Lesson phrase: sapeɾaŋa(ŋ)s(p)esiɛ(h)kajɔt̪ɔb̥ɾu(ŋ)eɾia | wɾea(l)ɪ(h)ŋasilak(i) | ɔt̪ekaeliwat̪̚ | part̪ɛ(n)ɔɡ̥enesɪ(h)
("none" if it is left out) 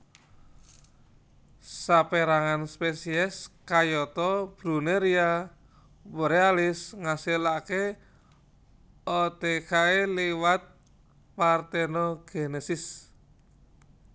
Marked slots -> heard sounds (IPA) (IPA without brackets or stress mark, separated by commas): n, p, s, n, l, s, e, n, s